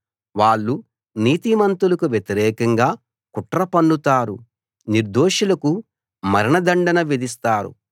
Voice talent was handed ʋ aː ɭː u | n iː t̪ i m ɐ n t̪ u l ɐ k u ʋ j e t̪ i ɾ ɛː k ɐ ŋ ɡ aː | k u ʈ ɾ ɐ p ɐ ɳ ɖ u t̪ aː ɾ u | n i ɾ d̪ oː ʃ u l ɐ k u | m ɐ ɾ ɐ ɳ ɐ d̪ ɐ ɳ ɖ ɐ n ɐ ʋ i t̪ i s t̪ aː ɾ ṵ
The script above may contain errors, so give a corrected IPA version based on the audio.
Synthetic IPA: ʋ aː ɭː u | n iː t̪ i m ɐ n t̪ u l ɐ k u ʋ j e t̪ i ɾ ɛː k ɐ ŋ ɡ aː | k u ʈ ɾ ɐ p ɐ ɳ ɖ u t̪ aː ɾ u | n i ɾ d̪ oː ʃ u l ɐ k u | m ɐ ɾ ɐ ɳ ɐ d̪ ɐ ɳ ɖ ɐ n ɐ ʋ i d̪ i s t̪ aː ɾ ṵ

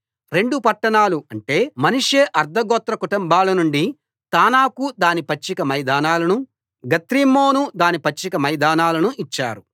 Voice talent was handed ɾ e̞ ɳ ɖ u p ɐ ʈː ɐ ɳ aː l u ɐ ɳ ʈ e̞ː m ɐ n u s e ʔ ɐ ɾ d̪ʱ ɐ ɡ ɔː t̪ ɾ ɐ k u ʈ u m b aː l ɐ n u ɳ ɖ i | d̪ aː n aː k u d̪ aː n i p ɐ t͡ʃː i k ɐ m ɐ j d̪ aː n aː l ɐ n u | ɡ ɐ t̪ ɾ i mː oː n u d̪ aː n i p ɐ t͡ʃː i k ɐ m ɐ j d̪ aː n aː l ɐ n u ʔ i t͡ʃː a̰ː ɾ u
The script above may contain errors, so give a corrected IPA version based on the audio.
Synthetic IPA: ɾ e̞ ɳ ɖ u p ɐ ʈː ɐ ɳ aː l u ɐ ɳ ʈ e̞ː m ɐ n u ʂ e ʔ ɐ ɾ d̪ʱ ɐ ɡ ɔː t̪ ɾ ɐ k u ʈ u m b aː l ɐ n u ɳ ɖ i | t̪ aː n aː k u d̪ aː n i p ɐ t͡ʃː i k ɐ m ɐ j d̪ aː n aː l ɐ n u | ɡ ɐ t̪ ɾ i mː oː n u d̪ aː n i p ɐ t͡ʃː i k ɐ m ɐ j d̪ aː n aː l ɐ n u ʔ i t͡ʃː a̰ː ɾ u

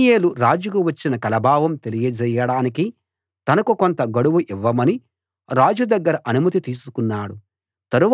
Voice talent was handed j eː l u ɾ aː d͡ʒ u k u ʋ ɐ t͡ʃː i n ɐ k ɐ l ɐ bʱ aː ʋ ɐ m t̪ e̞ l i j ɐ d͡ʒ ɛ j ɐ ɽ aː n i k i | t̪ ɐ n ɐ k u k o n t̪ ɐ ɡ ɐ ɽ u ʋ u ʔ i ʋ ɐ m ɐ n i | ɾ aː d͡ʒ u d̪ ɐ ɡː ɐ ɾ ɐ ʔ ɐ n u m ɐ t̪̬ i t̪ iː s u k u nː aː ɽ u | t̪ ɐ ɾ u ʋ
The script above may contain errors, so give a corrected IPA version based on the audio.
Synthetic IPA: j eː l u ɾ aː d͡ʒ u k u ʋ ɐ t͡ʃː i n ɐ k ɐ l ɐ bʱ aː ʋ ɐ m t̪ e̞ l i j ɐ d͡ʒ ɛ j ɐ ɽ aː n i k i | t̪ ɐ n ɐ k u k o n t̪ ɐ ɡ ɐ ɽ u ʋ u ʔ i ʋː ɐ m ɐ n i | ɾ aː d͡ʒ u d̪ ɐ ɡː ɐ ɾ ɐ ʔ ɐ n u m ɐ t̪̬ i t̪ iː s u k u nː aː ɽ u | t̪ ɐ ɾ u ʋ

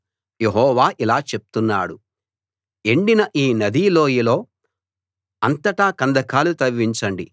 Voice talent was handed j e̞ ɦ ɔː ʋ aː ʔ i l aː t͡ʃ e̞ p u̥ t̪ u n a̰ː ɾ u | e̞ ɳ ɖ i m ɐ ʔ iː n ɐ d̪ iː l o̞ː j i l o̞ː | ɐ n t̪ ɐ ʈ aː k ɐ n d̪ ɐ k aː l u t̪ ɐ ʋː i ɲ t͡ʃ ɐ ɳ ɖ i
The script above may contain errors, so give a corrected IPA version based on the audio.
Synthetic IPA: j e̞ ɦ ɔː ʋ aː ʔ i l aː t͡ʃ e̞ p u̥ t̪ u nː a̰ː ɽ u | e̞ ɳ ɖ i n ɐ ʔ iː n ɐ d̪ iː l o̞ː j i l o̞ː | ɐ n t̪ ɐ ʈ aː k ɐ n d̪ ɐ k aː l u t̪ ɐ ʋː i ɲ t͡ʃ ɐ ɳ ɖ i

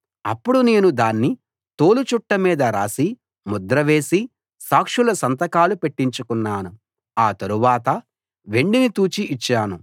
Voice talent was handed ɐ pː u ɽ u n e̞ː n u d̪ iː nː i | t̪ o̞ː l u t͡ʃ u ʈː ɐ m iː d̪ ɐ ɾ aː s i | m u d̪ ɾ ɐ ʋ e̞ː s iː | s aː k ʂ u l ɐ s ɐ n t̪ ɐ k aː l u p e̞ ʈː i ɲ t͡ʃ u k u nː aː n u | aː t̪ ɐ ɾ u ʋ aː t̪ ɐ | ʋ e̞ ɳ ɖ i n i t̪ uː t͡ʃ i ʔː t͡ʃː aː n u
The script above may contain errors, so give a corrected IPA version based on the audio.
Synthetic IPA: ɐ pː u ɽ u n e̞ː n u d̪ aː nː i | t̪ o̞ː l u t͡ʃ u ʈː ɐ m iː d̪ ɐ ɾ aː s i | m u d̪ ɾ ɐ ʋ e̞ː s i | s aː k ʂ u l ɐ s ɐ n t̪ ɐ k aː l u p e̞ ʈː i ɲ t͡ʃ u k u nː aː n u | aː t̪ ɐ ɾ u ʋ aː t̪ ɐ | ʋ e̞ ɳ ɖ i n i t̪ uː t͡ʃ i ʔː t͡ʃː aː n u

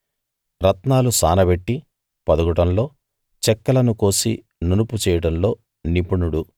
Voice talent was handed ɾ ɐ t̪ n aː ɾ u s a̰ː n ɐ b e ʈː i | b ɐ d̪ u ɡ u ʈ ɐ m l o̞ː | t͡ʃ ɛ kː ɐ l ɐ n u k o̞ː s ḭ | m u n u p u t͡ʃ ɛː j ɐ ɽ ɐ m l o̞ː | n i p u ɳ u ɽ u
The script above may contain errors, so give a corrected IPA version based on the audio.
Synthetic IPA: ɾ ɐ t̪ n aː l u s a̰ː n ɐ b e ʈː i | p ɐ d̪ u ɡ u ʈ ɐ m l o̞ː | t͡ʃ ɛ kː ɐ l ɐ n u k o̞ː s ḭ | n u n u p u t͡ʃ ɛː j ɐ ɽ ɐ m l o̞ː | n i p u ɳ u ɽ u

